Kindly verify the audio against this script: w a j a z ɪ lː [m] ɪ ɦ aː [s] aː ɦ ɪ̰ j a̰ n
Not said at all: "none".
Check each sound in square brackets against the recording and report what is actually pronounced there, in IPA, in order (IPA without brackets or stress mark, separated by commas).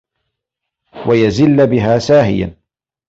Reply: b, s